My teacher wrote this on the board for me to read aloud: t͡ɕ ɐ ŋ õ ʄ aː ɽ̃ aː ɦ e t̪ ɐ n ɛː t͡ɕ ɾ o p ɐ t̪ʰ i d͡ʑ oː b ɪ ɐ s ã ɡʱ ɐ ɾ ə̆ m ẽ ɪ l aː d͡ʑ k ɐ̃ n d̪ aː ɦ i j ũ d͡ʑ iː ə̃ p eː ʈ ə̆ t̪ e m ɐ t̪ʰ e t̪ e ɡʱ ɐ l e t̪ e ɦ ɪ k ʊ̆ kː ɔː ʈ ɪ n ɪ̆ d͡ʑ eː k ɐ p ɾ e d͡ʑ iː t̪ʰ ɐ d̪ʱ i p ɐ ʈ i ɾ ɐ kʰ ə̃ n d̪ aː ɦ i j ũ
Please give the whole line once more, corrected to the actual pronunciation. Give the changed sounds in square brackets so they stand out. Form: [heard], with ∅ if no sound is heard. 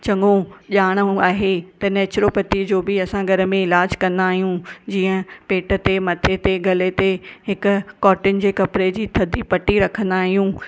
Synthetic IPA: t͡ɕ ɐ ŋ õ ʄ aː ɽ̃ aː ɦ e t̪ ɐ n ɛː t͡ɕ ɾ o p ɐ [t̪] i d͡ʑ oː b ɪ ɐ s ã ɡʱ ɐ ɾ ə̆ m ẽ ɪ l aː d͡ʑ k ɐ̃ n d̪ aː ɦ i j ũ d͡ʑ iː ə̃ p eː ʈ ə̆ t̪ e m ɐ t̪ʰ e t̪ e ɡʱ ɐ l e t̪ e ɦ ɪ k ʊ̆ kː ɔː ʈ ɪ n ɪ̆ d͡ʑ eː k ɐ p ɾ e d͡ʑ iː t̪ʰ ɐ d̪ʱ i p ɐ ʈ i ɾ ɐ kʰ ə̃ n d̪ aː ɦ i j ũ